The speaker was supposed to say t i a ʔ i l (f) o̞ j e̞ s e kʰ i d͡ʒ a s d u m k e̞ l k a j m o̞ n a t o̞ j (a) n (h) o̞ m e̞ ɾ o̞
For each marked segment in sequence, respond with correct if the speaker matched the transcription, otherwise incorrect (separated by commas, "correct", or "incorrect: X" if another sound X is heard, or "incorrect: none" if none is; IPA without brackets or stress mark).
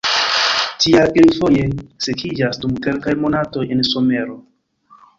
correct, incorrect: e, incorrect: s